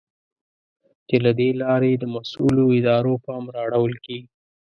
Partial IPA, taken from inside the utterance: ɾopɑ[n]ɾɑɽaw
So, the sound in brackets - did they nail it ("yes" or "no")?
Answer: no